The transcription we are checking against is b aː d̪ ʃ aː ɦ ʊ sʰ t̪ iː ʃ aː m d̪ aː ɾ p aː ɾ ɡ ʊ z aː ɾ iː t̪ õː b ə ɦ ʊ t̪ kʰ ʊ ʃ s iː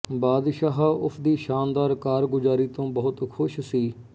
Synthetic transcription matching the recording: b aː d̪ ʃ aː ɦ ʊ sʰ d̪ iː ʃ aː n d̪ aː ɾ k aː ɾ ɡ ʊ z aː ɾ iː t̪ õː b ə ɦ ʊ t̪ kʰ ʊ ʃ s iː

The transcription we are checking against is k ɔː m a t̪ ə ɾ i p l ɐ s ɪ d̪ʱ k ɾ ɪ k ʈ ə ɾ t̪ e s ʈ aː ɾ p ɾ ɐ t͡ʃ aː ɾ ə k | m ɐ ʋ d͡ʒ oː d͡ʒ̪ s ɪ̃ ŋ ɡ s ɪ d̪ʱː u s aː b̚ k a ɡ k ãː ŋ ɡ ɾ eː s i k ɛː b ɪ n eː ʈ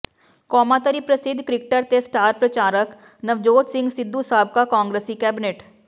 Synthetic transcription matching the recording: k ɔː m a t̪ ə ɾ i p ɾ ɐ s ɪ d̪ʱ k ɾ ɪ k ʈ ə ɾ t̪ e s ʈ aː ɾ p ɾ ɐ t͡ʃ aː ɾ ə k | n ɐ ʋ d͡ʒ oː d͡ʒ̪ s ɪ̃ ŋ ɡ s ɪ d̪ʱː u s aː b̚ k a k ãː ŋ ɡ ɾ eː s i k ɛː b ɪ n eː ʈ

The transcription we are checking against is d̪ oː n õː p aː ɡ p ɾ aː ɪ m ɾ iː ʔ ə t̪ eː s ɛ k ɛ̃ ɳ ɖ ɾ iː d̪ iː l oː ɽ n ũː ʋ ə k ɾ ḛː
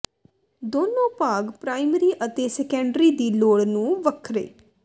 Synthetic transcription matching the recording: d̪ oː n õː p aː ɡ p ɾ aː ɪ m ɾ iː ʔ ə t̪ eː s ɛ k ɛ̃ ɳ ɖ ɾ iː d̪ iː l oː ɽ n ũː ʋ ə kʰ ɾ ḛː

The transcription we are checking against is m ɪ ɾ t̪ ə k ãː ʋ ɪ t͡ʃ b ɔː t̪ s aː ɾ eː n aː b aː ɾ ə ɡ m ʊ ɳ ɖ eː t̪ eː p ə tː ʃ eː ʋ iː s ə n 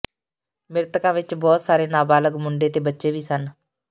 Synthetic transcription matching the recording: m ɪ ɾ t̪ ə k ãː ʋ ɪ t͡ʃ b ɔː t̪ s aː ɾ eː n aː b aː l ə ɡ m ʊ ɳ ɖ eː t̪ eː b ə tː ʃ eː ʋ iː s ə n

